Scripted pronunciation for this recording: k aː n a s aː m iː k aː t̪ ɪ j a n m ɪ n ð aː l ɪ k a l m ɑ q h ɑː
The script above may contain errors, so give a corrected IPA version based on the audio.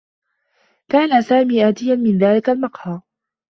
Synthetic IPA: k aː n a s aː m iː ʔ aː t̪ ɪ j a n m ɪ n ð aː l ɪ k a l m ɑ q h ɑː